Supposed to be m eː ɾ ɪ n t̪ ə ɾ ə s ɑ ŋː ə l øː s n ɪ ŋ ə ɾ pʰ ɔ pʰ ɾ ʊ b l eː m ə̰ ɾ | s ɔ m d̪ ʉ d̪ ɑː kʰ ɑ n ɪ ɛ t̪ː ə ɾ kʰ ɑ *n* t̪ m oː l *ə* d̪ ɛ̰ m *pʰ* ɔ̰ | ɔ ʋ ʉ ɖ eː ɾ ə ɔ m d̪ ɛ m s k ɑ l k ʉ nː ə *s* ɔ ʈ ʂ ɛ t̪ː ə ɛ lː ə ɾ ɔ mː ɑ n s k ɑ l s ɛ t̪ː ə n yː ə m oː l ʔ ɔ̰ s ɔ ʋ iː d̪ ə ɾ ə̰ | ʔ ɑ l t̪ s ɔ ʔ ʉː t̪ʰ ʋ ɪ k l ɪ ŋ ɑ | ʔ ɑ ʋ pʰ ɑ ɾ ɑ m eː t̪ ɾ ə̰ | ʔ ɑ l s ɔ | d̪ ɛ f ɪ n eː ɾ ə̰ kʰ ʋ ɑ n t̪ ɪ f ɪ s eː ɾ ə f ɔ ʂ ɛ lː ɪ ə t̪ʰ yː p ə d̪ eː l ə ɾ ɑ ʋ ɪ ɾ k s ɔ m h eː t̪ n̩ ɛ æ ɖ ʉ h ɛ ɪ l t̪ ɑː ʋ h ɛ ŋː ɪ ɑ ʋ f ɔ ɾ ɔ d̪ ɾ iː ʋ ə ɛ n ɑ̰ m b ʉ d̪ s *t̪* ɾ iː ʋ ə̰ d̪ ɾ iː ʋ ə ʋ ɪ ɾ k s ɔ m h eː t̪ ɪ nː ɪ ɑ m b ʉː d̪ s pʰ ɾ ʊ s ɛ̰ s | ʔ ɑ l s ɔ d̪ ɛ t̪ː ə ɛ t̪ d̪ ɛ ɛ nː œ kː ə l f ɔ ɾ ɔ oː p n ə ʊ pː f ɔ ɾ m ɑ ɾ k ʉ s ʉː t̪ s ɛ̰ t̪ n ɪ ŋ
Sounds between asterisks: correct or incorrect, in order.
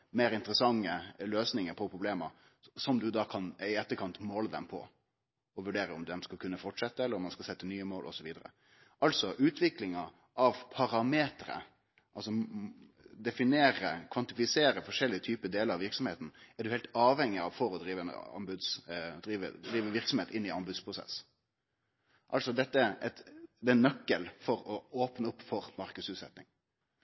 correct, correct, correct, incorrect: f, incorrect: d̪

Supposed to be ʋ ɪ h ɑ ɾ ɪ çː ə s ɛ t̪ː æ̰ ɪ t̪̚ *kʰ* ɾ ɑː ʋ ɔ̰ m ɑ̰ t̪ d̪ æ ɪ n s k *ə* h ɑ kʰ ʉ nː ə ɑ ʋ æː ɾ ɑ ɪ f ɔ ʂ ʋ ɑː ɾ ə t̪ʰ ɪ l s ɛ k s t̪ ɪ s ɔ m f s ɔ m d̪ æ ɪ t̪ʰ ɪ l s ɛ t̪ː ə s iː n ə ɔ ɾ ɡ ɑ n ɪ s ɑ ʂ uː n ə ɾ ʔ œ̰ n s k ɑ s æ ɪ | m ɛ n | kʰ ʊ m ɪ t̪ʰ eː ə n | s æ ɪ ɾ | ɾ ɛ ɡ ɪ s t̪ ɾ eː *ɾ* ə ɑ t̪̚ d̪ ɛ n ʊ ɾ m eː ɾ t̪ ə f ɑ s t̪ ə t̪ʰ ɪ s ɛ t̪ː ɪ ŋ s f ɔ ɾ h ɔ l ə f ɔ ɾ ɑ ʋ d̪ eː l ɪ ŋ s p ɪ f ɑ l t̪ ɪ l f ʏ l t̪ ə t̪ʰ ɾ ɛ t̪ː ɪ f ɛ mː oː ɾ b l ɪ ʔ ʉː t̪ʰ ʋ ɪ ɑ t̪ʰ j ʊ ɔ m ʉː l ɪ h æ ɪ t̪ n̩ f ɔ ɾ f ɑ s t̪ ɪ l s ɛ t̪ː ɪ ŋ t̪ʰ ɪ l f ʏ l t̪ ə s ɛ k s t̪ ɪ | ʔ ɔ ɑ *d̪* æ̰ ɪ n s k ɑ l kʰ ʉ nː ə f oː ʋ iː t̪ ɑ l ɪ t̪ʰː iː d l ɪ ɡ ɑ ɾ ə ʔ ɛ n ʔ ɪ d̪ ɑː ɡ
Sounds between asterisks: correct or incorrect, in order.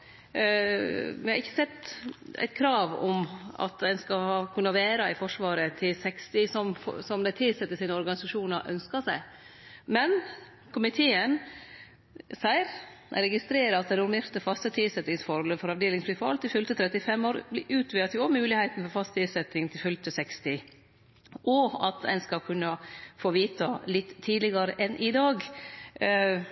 correct, incorrect: ɑ, correct, incorrect: t̪

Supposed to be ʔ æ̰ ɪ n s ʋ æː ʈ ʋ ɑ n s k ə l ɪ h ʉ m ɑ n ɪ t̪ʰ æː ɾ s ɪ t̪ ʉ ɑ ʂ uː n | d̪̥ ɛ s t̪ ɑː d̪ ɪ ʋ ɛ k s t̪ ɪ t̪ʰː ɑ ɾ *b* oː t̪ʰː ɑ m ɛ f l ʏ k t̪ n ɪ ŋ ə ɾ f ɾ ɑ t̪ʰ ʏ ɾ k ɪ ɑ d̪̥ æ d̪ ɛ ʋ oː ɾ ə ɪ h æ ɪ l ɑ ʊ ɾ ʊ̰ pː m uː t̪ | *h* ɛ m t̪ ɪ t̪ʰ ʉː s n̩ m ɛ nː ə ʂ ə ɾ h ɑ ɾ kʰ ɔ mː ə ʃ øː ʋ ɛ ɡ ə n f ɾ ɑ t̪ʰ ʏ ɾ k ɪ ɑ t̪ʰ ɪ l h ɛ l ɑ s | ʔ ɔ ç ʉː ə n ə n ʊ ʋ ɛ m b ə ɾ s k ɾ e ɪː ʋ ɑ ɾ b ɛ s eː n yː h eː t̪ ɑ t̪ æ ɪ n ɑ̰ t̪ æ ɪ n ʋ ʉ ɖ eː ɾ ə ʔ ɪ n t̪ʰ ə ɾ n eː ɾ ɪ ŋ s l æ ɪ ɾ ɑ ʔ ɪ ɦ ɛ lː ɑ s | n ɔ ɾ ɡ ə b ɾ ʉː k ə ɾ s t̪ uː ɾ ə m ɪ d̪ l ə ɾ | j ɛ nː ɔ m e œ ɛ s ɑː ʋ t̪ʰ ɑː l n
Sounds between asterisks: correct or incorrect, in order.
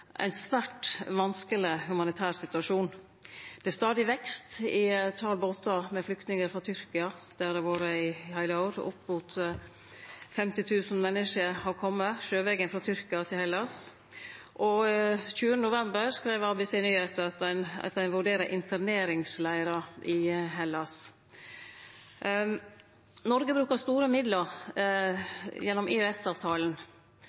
correct, incorrect: f

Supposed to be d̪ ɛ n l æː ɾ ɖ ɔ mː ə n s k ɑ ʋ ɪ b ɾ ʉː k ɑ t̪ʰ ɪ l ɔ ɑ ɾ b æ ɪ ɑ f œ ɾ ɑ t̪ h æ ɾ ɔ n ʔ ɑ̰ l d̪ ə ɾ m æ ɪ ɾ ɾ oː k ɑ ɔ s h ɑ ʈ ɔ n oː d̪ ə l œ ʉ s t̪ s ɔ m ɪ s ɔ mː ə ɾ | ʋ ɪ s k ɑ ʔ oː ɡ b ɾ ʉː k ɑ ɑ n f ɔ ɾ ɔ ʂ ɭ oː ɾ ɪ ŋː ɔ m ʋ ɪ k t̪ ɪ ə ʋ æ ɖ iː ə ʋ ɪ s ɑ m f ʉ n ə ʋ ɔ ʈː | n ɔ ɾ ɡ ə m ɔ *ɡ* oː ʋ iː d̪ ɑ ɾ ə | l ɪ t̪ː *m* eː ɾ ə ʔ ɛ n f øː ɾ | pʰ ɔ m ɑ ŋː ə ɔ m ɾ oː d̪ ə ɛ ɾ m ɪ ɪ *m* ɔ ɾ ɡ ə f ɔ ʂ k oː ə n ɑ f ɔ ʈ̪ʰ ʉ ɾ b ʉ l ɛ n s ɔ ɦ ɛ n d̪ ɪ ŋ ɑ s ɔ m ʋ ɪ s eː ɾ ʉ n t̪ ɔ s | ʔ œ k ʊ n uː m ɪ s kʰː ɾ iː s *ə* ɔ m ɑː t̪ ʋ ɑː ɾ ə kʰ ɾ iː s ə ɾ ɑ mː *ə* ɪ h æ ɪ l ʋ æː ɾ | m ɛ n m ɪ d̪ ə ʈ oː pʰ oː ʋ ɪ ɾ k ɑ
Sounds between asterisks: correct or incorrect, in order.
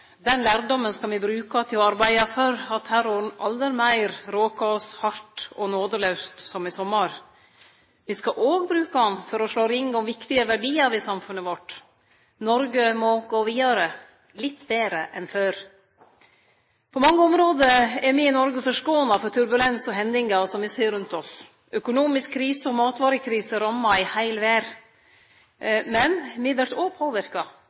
correct, incorrect: b, incorrect: n, correct, incorrect: ɑ

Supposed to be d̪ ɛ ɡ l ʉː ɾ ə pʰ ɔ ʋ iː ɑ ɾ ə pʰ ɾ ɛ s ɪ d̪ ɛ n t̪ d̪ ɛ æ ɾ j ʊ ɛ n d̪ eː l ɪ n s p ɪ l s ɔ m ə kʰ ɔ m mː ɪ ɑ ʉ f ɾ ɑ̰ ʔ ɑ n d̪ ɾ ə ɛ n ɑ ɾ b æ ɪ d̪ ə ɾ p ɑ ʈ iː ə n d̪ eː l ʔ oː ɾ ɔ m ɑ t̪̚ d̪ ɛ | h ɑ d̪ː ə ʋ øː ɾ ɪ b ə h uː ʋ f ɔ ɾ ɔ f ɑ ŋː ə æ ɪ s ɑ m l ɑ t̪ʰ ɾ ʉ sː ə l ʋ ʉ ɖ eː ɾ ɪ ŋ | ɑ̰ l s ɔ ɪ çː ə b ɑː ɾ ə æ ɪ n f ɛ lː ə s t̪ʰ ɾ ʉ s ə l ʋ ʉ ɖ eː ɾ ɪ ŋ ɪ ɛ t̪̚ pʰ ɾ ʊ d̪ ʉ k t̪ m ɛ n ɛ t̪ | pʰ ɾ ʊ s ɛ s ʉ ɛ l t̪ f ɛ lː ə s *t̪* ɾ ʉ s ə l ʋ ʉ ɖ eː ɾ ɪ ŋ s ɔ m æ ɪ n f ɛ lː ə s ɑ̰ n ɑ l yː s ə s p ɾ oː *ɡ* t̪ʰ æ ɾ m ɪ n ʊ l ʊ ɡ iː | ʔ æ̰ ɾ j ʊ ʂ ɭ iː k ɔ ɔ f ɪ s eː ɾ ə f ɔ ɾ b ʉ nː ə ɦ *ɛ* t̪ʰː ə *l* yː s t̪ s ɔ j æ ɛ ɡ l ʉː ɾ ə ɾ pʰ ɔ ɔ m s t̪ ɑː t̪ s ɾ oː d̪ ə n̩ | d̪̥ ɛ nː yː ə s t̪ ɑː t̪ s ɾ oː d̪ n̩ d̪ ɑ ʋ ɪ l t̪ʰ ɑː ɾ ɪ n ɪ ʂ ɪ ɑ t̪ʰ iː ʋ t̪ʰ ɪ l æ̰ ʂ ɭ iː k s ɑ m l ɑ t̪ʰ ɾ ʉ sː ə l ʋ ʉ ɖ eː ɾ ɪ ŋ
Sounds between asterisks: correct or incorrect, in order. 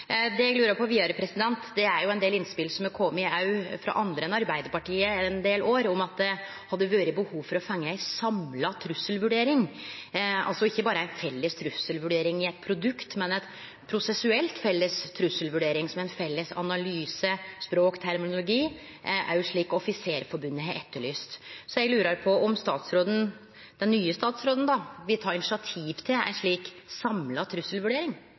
incorrect: t̪ʰ, incorrect: k, correct, incorrect: ɭ

